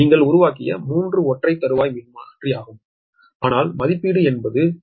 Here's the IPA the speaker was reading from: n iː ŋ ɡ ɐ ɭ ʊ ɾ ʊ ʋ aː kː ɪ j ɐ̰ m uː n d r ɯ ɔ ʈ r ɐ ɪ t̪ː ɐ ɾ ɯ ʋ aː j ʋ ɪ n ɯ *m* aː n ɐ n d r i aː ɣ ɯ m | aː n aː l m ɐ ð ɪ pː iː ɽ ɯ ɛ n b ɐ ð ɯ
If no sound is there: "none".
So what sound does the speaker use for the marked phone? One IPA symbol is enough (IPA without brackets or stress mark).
m